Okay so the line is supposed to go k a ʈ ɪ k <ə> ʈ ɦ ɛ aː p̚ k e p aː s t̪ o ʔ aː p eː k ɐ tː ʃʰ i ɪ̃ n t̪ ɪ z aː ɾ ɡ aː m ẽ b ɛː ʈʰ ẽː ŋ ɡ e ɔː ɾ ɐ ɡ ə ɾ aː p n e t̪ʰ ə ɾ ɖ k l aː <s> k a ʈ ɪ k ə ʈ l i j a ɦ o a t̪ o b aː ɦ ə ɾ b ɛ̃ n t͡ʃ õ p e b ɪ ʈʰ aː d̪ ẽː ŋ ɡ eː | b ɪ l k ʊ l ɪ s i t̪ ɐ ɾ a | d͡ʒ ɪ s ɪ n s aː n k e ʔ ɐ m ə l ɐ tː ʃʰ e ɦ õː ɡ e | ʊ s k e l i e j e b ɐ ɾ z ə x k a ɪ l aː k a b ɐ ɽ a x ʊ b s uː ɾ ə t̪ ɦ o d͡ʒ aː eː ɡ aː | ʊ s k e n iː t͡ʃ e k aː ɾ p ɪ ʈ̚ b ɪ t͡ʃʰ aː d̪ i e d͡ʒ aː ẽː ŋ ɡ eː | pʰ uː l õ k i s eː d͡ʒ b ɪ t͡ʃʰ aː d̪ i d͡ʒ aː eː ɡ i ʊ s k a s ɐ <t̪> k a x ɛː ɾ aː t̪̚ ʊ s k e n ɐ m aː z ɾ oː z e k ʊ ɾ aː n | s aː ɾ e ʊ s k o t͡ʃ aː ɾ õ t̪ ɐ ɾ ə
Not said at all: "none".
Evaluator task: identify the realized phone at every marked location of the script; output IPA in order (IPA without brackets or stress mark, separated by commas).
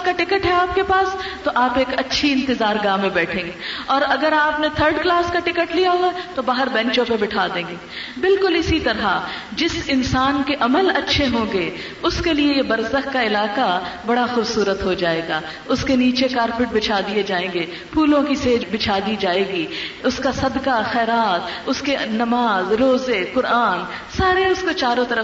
ə, s, d̪